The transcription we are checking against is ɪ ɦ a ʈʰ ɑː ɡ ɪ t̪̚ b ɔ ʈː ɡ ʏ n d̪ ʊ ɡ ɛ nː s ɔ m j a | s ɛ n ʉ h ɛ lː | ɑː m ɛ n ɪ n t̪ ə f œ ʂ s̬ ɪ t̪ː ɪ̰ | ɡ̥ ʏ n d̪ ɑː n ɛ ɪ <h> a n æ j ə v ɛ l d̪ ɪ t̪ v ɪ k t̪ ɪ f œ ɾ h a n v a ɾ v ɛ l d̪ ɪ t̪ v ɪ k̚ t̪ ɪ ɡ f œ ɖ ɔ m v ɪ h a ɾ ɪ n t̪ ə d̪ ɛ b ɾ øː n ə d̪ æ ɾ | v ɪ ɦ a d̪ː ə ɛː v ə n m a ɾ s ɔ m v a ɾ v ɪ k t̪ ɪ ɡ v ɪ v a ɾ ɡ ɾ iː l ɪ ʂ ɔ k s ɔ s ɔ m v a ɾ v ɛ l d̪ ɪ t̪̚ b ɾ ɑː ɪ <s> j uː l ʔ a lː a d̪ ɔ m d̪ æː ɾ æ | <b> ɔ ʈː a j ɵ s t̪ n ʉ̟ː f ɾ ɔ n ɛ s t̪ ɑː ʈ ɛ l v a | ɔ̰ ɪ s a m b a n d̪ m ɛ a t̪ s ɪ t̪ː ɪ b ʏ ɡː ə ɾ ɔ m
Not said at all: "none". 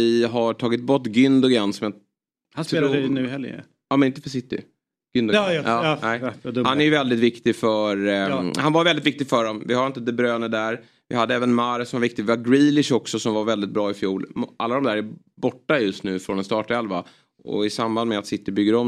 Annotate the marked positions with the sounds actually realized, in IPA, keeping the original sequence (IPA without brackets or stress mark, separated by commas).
h, f, b